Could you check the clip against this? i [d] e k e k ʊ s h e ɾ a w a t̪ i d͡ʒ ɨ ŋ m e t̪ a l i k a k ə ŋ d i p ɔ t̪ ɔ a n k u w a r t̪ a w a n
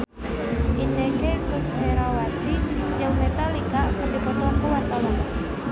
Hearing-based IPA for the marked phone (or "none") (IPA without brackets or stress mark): n